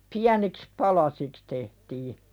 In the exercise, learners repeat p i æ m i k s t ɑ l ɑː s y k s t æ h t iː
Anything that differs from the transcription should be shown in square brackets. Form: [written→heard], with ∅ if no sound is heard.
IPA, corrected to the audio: p i æ [m→n] i k s [t→p] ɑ l [ɑː→ɑ] s [y→i] k s t [æ→e] h t iː